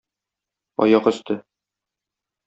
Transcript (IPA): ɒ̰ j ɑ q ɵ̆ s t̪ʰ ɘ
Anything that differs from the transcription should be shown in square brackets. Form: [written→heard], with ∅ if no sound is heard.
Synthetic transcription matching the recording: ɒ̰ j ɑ q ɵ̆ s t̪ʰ ɘ